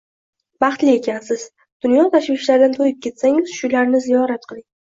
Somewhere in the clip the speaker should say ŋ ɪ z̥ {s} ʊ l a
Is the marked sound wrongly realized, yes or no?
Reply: yes